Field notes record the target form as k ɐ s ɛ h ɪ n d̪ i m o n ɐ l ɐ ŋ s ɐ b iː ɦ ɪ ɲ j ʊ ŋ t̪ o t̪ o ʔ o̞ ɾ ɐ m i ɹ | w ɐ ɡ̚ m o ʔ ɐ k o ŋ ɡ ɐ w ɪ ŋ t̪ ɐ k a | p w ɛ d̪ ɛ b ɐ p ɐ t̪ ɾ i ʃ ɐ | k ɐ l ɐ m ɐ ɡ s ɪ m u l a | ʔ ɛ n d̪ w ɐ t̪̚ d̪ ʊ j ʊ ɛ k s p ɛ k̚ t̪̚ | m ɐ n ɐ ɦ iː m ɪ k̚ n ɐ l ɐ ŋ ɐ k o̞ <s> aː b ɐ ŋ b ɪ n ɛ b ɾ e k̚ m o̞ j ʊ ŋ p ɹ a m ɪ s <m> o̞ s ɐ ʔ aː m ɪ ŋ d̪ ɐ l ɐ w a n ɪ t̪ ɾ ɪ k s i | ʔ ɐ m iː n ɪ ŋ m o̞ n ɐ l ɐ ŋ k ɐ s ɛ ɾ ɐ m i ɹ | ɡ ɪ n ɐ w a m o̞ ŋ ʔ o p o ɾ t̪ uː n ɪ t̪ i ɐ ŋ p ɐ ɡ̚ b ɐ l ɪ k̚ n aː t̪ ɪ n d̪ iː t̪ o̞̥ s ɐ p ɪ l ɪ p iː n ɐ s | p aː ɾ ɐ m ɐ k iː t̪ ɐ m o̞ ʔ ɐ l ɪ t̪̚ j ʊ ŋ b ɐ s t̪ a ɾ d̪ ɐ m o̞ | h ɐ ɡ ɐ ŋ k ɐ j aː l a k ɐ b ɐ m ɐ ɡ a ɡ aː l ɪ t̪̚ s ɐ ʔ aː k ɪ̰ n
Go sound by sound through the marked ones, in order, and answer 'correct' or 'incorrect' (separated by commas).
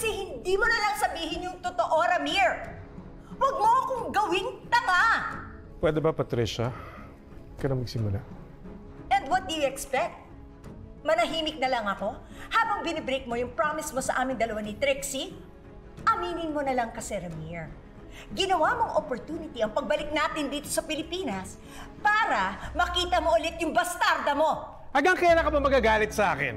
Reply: incorrect, correct